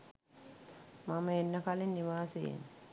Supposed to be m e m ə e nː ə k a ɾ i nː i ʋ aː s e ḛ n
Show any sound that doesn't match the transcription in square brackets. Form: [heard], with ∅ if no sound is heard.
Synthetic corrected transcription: m [a] m ə e nː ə k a [l] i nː i ʋ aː s e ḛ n